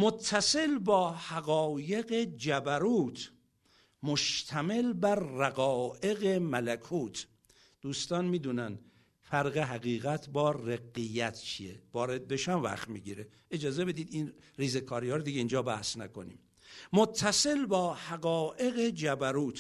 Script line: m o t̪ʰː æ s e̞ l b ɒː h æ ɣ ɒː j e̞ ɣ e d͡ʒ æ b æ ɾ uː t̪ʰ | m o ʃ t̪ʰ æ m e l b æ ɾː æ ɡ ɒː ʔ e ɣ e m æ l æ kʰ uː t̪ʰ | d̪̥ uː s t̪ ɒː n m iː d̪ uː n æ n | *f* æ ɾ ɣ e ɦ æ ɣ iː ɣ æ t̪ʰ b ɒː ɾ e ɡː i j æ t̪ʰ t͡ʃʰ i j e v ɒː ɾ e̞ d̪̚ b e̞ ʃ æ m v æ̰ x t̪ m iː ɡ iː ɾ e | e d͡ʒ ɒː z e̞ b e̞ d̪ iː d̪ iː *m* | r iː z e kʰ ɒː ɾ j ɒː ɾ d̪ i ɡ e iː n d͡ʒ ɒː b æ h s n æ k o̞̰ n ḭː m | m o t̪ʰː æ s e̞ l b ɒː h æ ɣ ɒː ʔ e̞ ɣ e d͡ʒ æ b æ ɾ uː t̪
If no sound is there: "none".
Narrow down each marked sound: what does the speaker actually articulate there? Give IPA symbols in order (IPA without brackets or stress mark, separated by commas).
f, n